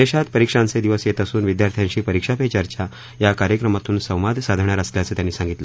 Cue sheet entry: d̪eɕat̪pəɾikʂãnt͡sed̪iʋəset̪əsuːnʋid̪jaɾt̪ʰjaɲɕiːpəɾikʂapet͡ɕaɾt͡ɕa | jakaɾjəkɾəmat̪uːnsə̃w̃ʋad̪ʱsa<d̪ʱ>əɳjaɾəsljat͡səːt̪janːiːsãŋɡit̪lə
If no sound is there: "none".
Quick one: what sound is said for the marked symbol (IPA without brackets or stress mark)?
d̪ʱ